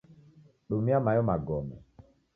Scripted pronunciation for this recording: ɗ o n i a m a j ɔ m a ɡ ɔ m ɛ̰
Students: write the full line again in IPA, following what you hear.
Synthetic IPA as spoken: ɗ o m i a m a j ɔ m a ɡ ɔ m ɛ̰

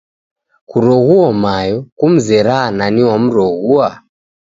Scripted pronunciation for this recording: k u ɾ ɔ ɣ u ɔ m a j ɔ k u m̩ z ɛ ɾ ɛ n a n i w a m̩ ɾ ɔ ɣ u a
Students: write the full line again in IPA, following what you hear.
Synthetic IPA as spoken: k u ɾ ɔ ɣ u ɔ m a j ɔ k u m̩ z ɛ ɾ a n a n i w a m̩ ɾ ɔ ɣ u a

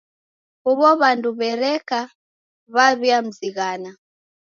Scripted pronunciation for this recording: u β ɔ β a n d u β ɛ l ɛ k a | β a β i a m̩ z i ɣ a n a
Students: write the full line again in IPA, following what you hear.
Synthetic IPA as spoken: u β ɔ β a n d u β ɛ ɾ ɛ k a | β a β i a m̩ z i ɣ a n a

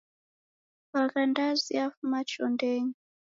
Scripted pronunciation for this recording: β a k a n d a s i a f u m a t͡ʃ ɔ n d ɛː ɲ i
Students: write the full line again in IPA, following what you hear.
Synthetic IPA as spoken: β a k a n d a z i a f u m a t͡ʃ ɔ n d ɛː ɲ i

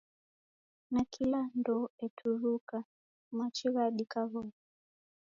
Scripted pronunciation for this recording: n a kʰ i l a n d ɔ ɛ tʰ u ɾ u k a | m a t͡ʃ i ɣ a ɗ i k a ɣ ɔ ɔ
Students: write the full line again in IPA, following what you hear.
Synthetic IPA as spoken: n a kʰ i l a n d ɔ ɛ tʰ u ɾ u k a | m a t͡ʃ i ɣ a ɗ i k a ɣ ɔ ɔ

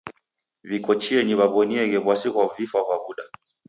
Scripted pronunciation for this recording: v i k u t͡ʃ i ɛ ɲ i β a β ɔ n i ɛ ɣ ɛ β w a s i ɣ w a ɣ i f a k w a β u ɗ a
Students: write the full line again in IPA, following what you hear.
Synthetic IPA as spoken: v i k ɔ t͡ʃ i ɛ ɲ i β a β ɔ n i ɛ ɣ ɛ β w a s i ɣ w a v i f a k w a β u ɗ a

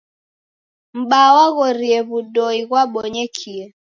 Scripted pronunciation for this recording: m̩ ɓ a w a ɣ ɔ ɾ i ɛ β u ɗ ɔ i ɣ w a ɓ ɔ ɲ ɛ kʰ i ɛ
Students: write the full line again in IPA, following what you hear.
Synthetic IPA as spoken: m̩ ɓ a w a ɣ ɔ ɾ i ɛ β u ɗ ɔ i ɣ w a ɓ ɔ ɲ ɛ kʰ i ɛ

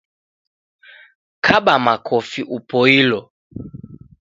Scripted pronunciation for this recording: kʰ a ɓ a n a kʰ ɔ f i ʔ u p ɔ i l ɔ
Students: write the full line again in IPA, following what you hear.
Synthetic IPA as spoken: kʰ a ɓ a m a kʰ ɔ f i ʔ u p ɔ i l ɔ

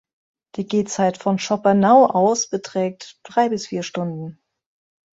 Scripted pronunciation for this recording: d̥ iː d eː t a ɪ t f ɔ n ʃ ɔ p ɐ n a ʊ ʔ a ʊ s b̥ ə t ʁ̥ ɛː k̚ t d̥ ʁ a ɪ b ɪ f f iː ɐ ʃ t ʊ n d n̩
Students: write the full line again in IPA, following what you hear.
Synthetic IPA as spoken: d̥ iː ɡ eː t͡s a ɪ t f ɔ n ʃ ɔ p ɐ n a ʊ ʔ a ʊ s b̥ ə t ʁ̥ ɛː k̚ t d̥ ʁ a ɪ b ɪ s f iː ɐ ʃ t ʊ n d n̩

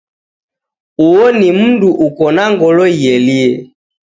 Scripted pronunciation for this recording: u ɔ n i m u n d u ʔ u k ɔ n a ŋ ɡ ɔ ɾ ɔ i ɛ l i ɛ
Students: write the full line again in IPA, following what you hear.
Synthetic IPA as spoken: u ɔ n i m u n d u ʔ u k ɔ n a ŋ ɡ ɔ l ɔ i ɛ l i ɛ

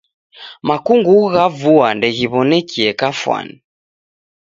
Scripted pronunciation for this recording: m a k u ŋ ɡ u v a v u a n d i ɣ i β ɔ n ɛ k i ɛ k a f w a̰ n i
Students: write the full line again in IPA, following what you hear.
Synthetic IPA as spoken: m a k u ŋ ɡ u ɣ a v u a n d ɛ ɣ i β ɔ n ɛ k i ɛ k a f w a̰ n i

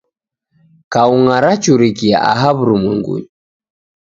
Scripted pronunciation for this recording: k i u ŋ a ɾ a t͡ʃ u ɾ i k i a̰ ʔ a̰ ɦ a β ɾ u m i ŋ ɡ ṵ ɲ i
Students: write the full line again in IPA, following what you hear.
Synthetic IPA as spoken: k a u ŋ a ɾ a t͡ʃ u ɾ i k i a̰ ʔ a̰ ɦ a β ɾ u m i ŋ ɡ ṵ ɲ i

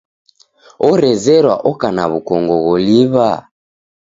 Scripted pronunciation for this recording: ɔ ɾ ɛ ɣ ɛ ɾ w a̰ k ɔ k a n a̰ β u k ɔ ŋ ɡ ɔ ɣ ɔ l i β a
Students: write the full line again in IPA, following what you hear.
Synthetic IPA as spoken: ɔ ɾ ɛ z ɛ ɾ w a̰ ʔ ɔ k a n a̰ β u k ɔ ŋ ɡ ɔ ɣ ɔ l i β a

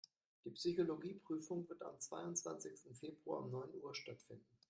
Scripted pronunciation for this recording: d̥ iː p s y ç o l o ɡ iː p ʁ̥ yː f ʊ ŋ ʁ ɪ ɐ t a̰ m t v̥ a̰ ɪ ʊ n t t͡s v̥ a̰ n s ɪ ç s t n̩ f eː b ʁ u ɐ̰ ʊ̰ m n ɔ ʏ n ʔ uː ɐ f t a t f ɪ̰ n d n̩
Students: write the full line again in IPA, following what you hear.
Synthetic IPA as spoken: d̥ iː p s y ç o l o ɡ iː p ʁ̥ yː f ʊ ŋ v ɪ ɐ t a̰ m t͡s v̥ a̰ ɪ ʊ n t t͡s v̥ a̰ n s ɪ ç s t n̩ f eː b ʁ u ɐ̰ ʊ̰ m n ɔ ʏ n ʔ uː ɐ ʃ t a t f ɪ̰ n d n̩

